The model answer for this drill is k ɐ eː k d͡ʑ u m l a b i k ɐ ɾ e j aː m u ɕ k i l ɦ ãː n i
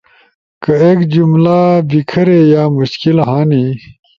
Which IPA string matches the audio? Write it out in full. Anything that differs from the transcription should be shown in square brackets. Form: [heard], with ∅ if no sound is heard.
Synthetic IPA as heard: k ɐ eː k d͡ʑ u m l a b i [kʰ] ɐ ɾ e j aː m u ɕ k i l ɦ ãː n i